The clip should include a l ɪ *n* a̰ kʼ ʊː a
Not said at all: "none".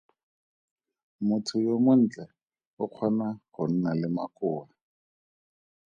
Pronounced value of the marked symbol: m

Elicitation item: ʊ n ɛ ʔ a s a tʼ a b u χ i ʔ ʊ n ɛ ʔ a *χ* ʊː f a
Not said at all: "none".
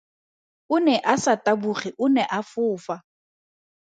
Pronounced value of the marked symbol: f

